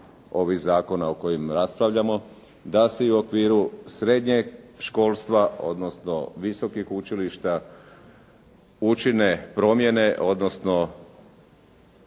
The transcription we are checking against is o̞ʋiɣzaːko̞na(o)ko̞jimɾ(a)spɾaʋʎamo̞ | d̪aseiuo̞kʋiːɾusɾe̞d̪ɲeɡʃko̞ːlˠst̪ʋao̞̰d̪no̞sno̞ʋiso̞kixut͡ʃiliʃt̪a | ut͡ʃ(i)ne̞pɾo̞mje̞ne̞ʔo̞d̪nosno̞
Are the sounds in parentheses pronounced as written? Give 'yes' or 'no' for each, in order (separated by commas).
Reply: yes, yes, yes